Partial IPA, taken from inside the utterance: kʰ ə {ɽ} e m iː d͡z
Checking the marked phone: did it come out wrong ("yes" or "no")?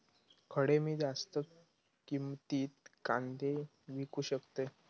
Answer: no